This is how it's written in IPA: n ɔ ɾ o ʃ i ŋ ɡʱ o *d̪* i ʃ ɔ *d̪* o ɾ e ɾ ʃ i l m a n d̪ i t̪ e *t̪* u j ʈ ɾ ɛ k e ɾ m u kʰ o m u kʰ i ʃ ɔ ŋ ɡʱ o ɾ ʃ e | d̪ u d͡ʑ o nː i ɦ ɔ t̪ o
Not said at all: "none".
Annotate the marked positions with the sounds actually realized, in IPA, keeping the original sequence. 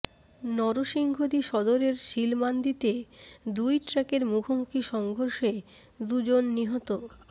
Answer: d̪, d̪, d̪

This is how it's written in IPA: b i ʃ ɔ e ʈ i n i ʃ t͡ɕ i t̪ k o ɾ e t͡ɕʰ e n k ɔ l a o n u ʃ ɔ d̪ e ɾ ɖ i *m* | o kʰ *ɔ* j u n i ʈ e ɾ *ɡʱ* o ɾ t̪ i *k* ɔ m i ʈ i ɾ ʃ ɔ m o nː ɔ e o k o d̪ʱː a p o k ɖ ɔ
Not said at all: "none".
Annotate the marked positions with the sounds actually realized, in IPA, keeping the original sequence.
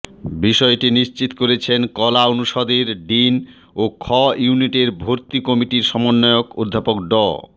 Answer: n, ɔ, bʱ, k

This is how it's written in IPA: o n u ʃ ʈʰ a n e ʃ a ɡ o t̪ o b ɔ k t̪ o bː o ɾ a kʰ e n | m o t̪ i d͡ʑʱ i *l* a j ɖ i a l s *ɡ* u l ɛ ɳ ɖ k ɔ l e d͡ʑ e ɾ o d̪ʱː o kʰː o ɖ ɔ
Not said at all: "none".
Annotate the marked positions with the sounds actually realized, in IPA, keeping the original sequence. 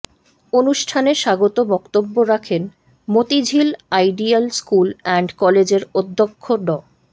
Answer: l, k

